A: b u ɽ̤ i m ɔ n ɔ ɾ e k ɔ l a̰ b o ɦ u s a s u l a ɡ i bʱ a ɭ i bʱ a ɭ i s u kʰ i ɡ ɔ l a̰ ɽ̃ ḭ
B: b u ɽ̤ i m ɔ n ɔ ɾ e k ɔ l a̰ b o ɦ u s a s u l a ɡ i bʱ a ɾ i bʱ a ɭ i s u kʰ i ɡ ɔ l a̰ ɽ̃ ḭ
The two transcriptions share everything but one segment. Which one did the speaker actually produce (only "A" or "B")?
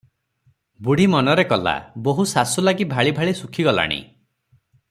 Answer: A